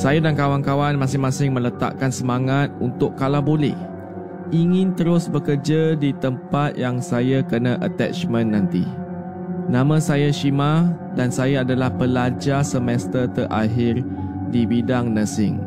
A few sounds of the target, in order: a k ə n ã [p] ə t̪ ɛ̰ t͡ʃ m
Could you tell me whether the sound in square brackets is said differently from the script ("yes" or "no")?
yes